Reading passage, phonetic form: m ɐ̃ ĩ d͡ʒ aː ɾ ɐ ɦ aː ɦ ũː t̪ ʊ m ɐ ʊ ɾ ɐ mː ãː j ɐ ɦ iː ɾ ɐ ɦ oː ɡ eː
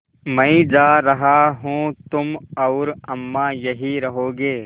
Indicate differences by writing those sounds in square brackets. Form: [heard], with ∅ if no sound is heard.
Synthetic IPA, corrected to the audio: m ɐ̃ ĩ d͡ʒ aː ɾ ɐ ɦ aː ɦ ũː t̪ ʊ m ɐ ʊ ɾ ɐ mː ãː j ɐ ɦ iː ɾ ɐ ɦ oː ɡ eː